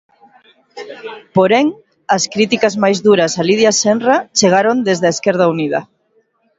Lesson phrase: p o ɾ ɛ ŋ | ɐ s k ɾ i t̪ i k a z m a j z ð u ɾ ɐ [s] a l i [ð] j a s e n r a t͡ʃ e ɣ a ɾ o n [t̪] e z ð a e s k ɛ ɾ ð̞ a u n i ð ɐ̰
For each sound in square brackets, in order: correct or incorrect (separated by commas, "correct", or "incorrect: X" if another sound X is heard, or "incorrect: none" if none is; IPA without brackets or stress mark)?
correct, correct, incorrect: d̪